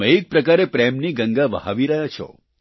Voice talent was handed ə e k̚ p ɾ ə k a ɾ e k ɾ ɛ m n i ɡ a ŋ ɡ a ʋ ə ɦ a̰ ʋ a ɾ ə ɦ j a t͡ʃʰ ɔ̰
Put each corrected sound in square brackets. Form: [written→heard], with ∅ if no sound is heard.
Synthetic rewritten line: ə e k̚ p ɾ ə k a ɾ e [k→p] ɾ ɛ m n i ɡ [a→ə] ŋ ɡ a ʋ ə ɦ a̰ ʋ [a→i] ɾ ə ɦ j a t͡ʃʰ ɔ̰

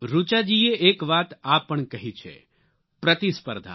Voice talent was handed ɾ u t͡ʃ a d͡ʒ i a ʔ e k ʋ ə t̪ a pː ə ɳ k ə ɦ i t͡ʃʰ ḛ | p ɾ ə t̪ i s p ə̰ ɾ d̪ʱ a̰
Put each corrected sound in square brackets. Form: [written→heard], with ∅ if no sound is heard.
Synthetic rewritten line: ɾ u t͡ʃ a d͡ʒ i [a→e] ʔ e k ʋ [ə→a] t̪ a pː ə ɳ k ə ɦ i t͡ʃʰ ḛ | p ɾ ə t̪ i s p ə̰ ɾ d̪ʱ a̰

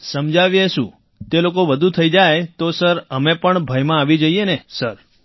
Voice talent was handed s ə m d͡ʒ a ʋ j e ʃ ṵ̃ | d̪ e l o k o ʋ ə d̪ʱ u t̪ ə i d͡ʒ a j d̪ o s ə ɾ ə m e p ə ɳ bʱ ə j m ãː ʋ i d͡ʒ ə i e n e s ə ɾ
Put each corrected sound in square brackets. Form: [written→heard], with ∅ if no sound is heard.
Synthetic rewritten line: s ə m d͡ʒ a ʋ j e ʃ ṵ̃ | [d̪→t̪] e l o k o ʋ ə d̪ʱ u [t̪→t̪ʰ] ə i d͡ʒ a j [d̪→t̪] o s ə ɾ ə m e p ə ɳ bʱ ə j m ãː ʋ i d͡ʒ ə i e n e s ə ɾ

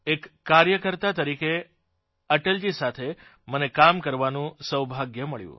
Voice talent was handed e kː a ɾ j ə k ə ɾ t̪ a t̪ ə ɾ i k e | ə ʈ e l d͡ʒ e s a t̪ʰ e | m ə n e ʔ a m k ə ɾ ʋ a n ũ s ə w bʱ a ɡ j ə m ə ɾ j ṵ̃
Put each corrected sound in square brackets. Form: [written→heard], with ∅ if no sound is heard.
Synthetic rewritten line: e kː a ɾ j ə k ə ɾ t̪ a t̪ ə ɾ i k e | ə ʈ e l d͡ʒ [e→i] s a t̪ʰ e | m ə n e [ʔ→k] a m k ə ɾ ʋ a n ũ s ə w bʱ a ɡ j ə m ə [ɾ→ɭ] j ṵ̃

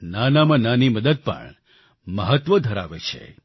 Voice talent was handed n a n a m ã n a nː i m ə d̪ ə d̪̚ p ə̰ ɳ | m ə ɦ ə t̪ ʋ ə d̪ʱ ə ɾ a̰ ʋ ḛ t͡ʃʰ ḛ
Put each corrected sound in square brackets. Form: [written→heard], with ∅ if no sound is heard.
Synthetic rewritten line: n a n a m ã n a [nː→n] i m ə d̪ ə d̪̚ p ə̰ ɳ | m ə ɦ ə t̪ ʋ ə d̪ʱ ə ɾ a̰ ʋ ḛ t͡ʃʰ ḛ

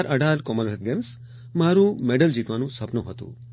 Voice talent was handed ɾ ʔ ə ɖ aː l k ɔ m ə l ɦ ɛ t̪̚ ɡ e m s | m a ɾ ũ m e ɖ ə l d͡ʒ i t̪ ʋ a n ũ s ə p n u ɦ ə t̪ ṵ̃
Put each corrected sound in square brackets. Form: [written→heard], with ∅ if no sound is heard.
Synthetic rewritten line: ɾ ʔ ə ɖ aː l k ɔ m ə l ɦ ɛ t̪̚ ɡ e m s | m a ɾ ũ m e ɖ ə l d͡ʒ i t̪ ʋ a n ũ s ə p n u ɦ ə t̪ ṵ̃

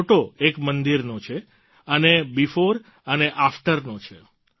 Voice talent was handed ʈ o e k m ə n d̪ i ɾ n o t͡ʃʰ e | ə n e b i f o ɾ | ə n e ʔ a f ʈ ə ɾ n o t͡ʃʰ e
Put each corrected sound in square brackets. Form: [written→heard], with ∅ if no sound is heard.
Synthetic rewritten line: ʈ o e k m ə n d̪ i ɾ n o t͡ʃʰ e | ə n e b i f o ɾ | ə n e ʔ a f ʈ ə ɾ n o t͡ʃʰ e

